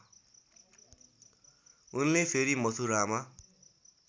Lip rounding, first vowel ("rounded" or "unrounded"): rounded